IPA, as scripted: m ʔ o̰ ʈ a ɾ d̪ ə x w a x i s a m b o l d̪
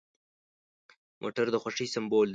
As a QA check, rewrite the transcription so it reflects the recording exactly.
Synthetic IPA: m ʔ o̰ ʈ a ɾ d̪ ə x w a ʂ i s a m b o l d̪